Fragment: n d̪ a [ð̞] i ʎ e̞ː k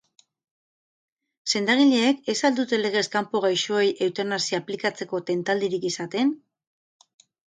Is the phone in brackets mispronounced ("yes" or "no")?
yes